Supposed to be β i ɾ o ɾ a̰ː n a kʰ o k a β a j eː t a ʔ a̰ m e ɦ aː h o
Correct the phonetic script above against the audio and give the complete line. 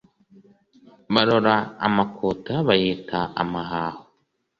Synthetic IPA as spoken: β a ɾ o ɾ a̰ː m a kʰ o t a β a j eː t a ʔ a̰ m a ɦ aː h o